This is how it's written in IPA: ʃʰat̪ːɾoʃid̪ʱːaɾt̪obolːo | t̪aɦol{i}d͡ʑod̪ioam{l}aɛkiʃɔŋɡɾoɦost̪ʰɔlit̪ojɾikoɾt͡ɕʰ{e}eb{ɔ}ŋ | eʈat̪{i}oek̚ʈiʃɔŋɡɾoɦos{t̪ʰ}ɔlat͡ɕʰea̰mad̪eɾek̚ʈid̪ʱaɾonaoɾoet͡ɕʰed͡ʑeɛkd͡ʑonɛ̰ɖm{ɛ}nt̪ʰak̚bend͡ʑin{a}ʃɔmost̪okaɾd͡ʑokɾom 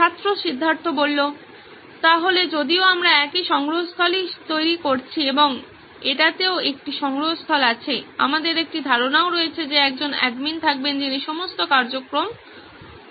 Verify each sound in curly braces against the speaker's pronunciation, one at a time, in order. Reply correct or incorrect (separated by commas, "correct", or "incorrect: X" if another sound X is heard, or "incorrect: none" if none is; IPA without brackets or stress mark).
incorrect: e, incorrect: ɾ, incorrect: i, incorrect: o, incorrect: e, correct, incorrect: i, incorrect: i